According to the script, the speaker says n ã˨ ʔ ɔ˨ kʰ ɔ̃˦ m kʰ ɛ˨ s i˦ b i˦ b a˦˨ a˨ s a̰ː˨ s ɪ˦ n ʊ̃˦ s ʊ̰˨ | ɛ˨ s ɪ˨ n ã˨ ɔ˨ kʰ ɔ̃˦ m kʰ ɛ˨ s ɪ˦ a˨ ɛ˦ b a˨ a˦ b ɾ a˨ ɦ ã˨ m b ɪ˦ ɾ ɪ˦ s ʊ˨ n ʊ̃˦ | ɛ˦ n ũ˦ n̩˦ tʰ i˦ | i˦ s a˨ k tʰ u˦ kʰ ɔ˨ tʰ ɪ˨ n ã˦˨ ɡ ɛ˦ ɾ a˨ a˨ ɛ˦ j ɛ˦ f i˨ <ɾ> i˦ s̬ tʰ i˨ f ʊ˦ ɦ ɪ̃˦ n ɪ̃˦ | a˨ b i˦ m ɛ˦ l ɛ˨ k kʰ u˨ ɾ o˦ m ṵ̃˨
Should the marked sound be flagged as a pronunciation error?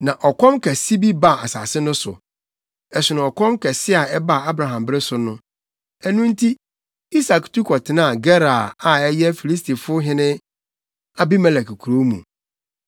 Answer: yes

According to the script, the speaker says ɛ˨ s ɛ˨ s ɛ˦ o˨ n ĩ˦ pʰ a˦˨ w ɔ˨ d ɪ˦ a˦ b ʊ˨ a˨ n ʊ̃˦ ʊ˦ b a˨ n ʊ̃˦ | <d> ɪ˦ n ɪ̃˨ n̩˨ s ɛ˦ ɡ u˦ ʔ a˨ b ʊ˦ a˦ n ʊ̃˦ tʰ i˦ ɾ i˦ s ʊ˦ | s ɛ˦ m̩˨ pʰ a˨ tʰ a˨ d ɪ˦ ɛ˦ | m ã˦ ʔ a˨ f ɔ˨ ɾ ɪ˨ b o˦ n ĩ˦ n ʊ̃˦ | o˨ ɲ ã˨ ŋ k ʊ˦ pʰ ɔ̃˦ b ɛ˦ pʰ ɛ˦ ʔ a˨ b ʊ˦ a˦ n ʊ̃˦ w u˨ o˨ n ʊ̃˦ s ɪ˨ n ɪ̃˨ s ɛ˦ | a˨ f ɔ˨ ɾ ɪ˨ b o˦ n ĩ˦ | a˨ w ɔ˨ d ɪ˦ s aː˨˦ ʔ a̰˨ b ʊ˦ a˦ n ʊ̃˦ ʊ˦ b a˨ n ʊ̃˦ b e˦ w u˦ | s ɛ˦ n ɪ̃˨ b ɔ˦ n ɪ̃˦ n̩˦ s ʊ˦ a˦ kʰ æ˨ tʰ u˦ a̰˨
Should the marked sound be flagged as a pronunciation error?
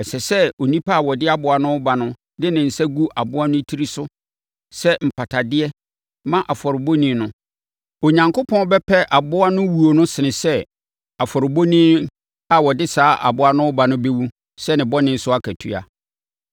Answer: no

